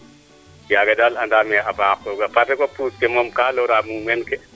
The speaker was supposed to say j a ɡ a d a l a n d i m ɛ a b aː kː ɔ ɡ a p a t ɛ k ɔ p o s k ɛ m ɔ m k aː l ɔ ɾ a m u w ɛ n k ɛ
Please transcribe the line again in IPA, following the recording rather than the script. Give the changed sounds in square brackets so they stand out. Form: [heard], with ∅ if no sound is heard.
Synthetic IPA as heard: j a ɡ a d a l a n d [a] m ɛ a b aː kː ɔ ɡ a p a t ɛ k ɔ p [u] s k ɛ m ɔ m k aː l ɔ ɾ a m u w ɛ n k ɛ